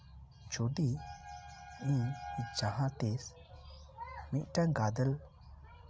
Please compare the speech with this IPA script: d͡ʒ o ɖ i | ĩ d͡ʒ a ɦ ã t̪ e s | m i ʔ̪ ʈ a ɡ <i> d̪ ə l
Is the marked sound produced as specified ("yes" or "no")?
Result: no